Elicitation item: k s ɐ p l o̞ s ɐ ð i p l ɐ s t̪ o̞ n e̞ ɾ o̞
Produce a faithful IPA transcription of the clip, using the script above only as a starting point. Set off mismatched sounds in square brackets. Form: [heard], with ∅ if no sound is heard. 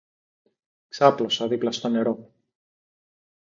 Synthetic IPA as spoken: k s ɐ p l o̞ s ɐ ð i p l ɐ s t̪ o̞ n e̞ ɾ o̞